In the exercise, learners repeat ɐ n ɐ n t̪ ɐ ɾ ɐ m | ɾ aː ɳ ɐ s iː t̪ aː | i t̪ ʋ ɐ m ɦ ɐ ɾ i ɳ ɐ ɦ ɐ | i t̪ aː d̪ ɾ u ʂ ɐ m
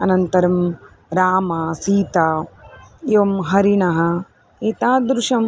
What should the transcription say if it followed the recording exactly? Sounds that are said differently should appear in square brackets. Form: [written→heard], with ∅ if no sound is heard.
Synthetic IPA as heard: ɐ n ɐ n t̪ ɐ ɾ ɐ m | ɾ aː [ɳ→m] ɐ s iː t̪ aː | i [t̪→∅] ʋ ɐ m ɦ ɐ ɾ i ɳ ɐ ɦ ɐ | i t̪ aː d̪ ɾ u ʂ ɐ m